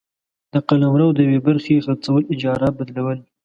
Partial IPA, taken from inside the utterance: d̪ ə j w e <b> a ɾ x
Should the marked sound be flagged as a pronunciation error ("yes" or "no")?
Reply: no